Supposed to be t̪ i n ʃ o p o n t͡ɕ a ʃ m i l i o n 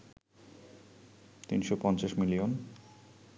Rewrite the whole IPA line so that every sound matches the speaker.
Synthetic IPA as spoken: t̪ i n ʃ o p ɔ n t͡ɕ a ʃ m i l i o n